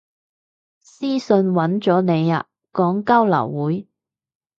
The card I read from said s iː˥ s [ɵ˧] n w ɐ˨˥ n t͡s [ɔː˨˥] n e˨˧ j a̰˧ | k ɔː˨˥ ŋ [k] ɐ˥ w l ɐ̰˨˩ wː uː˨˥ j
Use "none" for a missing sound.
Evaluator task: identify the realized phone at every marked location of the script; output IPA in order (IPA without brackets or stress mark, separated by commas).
ɵ˧, ɔː˨˥, k